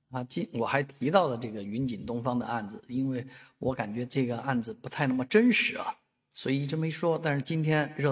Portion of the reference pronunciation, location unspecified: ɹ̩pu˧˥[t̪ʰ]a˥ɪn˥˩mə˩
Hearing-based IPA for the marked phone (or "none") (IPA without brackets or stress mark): t̪ʰ